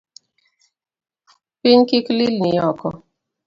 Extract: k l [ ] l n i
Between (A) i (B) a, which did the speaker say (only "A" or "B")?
A